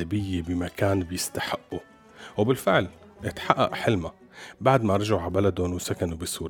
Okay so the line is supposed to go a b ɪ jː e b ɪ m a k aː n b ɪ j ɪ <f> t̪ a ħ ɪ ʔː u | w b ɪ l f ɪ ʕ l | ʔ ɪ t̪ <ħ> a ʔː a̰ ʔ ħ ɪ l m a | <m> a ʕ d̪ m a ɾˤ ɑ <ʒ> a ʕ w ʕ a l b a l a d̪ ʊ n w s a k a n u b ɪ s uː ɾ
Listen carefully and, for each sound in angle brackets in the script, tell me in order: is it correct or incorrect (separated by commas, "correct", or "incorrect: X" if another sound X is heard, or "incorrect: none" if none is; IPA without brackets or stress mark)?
incorrect: s, correct, incorrect: b, correct